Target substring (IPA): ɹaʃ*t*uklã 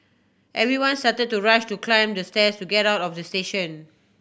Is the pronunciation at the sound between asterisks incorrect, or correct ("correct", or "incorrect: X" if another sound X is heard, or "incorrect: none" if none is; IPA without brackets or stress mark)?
correct